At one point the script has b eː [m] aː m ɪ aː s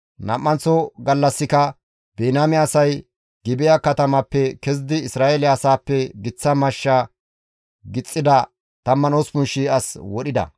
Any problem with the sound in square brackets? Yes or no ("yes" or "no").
yes